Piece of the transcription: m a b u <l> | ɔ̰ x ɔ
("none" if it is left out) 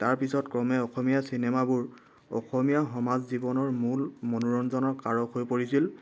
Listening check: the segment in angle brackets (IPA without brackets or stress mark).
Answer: ɹ